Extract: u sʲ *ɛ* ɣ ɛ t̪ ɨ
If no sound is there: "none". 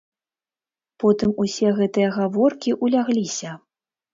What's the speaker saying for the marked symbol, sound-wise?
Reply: ɛ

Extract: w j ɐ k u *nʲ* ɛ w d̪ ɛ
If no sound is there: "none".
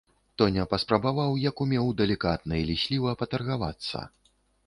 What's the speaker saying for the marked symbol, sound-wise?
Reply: mʲ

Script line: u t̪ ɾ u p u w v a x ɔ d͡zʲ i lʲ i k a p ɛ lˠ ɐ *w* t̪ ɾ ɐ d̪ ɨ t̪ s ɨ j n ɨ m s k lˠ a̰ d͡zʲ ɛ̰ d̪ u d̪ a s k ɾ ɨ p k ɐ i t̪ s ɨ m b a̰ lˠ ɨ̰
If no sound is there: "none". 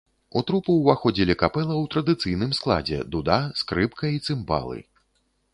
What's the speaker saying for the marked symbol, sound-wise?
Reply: w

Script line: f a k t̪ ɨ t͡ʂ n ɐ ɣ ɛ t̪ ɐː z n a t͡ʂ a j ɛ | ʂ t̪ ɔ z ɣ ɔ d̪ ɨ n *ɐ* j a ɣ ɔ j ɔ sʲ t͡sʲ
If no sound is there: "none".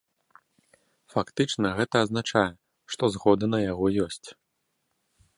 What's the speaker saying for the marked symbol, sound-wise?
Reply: ɐ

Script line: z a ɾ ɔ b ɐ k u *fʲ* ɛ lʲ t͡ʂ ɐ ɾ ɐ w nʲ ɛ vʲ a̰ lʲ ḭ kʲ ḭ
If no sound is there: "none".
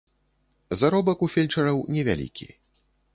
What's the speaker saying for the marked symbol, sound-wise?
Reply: fʲ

